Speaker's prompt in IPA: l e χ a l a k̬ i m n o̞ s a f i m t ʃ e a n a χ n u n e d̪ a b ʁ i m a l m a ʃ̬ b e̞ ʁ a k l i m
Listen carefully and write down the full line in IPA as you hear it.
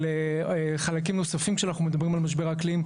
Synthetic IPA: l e χ a l a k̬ i m n o̞ s a f i m k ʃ e a n a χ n u m e d̪ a b ʁ i m a l m a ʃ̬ b e̞ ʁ a k l i m